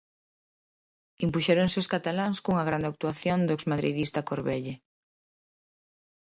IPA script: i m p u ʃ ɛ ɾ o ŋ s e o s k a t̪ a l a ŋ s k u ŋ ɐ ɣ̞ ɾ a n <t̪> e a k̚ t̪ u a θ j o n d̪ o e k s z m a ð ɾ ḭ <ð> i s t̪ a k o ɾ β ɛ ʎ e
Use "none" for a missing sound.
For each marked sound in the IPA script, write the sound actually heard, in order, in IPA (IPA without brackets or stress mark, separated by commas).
d̪, ð